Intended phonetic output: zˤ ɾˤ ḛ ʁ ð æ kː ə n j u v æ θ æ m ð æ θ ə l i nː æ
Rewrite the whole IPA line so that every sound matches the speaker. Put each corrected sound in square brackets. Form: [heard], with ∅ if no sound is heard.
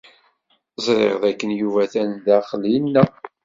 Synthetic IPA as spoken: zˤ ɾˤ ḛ ʁ ð æ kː ə n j u v æ θ æ [n] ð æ [χ] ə l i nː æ